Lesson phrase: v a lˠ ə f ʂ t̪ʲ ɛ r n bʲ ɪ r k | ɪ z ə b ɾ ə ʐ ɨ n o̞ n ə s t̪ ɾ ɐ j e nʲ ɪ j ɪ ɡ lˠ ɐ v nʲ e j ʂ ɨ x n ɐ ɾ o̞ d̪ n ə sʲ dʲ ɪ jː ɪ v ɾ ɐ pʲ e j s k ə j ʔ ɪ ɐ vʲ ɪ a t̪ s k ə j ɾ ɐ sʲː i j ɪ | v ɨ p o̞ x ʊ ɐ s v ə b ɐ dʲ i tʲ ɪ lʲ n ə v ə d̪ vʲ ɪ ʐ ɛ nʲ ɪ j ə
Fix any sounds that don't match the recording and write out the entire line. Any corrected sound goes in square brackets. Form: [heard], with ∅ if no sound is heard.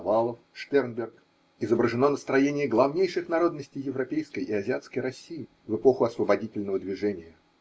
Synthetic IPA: v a lˠ ə f ʂ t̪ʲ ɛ r n bʲ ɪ r k | ɪ z ə b ɾ ə ʐ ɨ n o̞ n ə s t̪ ɾ ɐ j e nʲ ɪ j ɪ ɡ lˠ ɐ v nʲ e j ʂ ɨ x n ɐ ɾ o̞ d̪ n ə sʲ [tʲ] ɪ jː ɪ v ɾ ɐ pʲ e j s k ə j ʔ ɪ ɐ [zʲ] ɪ a t̪ s k ə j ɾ ɐ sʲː i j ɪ | v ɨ p o̞ x ʊ ɐ s v ə b ɐ dʲ i tʲ ɪ lʲ n ə v ə d̪ vʲ ɪ ʐ ɛ nʲ ɪ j ə